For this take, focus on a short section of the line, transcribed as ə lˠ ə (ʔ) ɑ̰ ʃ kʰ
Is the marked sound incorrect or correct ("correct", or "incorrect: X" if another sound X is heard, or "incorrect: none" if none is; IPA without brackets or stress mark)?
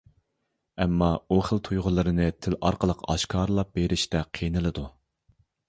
incorrect: q